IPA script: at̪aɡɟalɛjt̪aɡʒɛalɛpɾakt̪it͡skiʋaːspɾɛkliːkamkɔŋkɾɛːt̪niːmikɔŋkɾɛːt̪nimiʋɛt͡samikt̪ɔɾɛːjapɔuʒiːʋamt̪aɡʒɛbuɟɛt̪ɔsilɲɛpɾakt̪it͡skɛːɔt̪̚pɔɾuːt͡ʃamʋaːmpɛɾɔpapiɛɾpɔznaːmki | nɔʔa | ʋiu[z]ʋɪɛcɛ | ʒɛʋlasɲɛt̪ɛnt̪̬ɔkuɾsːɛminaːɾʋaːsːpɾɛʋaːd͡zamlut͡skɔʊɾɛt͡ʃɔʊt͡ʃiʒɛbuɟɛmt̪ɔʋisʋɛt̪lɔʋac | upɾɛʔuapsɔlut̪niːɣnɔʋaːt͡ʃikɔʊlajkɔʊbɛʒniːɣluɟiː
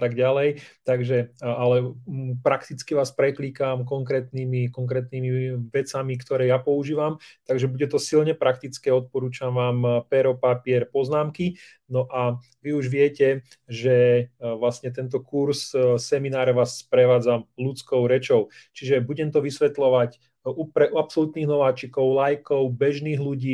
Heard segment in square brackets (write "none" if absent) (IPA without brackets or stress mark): ʒ